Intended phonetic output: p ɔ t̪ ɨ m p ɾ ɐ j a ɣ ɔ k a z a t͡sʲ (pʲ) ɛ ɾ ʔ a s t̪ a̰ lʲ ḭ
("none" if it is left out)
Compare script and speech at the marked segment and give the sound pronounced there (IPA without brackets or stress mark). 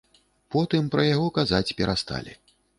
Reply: pʲ